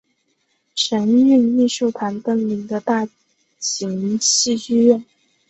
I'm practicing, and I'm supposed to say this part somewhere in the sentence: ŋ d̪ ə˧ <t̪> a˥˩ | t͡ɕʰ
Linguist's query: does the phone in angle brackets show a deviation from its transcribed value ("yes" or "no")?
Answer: no